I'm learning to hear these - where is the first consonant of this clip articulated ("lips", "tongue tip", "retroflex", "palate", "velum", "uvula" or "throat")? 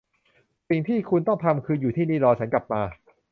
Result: tongue tip